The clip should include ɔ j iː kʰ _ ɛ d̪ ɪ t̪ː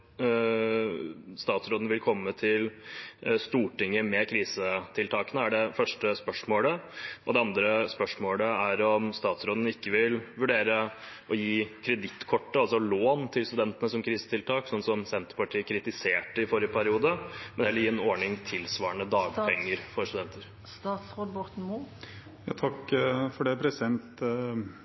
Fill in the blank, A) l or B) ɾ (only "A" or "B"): B